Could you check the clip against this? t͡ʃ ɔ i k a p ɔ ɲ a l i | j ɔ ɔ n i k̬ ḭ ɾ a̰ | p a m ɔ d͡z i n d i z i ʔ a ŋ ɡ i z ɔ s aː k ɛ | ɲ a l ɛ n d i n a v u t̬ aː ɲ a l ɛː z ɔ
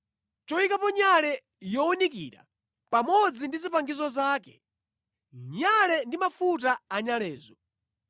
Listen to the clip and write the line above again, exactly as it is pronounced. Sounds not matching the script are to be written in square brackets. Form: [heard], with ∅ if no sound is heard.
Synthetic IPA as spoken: t͡ʃ ɔ i k a p ɔ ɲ a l [ɛ] | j ɔ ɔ n i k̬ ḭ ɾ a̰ | p a m ɔ d͡z i n d i z i [p] a ŋ ɡ i z ɔ [z] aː k ɛ | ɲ a l ɛ n d i [m] a [f] u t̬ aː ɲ a l ɛː z ɔ